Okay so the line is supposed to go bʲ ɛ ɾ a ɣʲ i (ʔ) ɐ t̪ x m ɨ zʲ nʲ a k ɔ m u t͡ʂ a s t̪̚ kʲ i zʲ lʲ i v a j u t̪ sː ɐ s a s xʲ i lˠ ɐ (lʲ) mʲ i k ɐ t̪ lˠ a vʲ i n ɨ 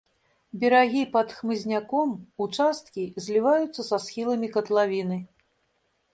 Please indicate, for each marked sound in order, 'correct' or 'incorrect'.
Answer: incorrect, incorrect

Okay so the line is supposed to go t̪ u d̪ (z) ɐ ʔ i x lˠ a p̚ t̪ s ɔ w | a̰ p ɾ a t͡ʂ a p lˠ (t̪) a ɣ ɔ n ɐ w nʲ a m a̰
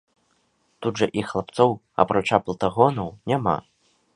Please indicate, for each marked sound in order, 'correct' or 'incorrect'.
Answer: incorrect, correct

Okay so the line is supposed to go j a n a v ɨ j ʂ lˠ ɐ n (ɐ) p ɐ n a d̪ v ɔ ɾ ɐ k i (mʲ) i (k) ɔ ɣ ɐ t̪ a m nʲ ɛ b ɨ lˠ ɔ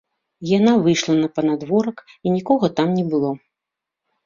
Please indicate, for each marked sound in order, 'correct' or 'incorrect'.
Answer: correct, incorrect, correct

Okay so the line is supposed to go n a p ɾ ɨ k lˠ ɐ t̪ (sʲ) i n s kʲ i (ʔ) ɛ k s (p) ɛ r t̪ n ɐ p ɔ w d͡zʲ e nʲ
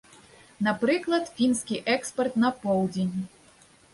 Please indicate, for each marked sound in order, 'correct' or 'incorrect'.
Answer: incorrect, correct, correct

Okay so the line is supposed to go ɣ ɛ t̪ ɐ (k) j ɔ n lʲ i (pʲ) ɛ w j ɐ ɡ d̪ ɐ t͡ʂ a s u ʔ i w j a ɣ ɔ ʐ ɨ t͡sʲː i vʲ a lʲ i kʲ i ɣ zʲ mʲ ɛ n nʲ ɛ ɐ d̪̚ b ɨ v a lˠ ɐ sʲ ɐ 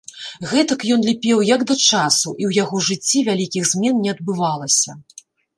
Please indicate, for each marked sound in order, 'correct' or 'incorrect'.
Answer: correct, correct

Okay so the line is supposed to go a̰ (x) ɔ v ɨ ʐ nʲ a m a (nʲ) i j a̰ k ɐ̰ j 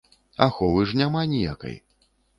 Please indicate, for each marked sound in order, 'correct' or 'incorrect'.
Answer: correct, correct

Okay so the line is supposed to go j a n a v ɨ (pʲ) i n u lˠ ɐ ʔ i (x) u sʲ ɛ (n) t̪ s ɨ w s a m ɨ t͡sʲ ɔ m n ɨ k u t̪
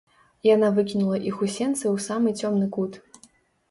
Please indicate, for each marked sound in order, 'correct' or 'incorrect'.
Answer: incorrect, correct, correct

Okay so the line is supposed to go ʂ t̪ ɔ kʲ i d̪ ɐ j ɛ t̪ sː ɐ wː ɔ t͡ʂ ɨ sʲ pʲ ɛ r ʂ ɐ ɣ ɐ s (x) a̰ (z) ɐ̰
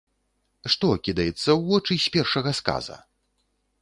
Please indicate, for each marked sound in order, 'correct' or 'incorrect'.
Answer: incorrect, correct

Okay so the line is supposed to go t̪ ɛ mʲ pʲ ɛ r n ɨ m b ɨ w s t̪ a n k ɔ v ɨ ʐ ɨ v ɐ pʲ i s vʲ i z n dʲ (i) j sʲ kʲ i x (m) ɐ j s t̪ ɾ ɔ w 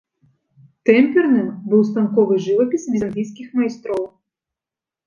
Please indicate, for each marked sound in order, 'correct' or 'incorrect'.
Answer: correct, correct

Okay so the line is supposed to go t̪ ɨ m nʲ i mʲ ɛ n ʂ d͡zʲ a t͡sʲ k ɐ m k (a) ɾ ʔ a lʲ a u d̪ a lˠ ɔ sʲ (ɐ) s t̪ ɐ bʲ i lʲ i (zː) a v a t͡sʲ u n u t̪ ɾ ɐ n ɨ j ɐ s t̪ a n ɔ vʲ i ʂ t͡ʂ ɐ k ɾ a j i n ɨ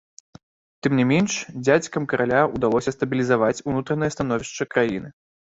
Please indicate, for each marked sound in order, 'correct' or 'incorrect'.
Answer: incorrect, correct, incorrect

